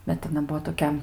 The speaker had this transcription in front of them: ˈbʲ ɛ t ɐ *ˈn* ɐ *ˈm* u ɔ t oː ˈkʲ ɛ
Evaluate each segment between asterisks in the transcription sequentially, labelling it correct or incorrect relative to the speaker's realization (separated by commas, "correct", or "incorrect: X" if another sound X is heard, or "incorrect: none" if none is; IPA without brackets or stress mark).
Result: correct, incorrect: b